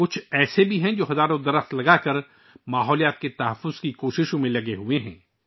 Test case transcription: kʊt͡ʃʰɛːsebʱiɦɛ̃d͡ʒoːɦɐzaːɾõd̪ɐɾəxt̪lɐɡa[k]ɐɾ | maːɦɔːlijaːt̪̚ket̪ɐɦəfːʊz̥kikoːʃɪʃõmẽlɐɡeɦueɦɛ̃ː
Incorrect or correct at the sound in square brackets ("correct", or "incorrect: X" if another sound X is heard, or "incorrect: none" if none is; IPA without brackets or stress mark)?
correct